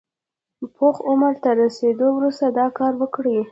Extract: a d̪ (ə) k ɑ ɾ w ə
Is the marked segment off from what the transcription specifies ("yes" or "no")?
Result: yes